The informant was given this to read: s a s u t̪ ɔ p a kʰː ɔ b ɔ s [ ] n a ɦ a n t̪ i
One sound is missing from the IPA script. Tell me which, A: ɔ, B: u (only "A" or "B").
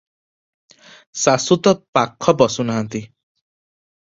B